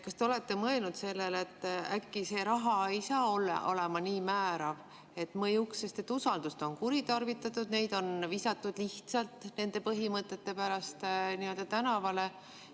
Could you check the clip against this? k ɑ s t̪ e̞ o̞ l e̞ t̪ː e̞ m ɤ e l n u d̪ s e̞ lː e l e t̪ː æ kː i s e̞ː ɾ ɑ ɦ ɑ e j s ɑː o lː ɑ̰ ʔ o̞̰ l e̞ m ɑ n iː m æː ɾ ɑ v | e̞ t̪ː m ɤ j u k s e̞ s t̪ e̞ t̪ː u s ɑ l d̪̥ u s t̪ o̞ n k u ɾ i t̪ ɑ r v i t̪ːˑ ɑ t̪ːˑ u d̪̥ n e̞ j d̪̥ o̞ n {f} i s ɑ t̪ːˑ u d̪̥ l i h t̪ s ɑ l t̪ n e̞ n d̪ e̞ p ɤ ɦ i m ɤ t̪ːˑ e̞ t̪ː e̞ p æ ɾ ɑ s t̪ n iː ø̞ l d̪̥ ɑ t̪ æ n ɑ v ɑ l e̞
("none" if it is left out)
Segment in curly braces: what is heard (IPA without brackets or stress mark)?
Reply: v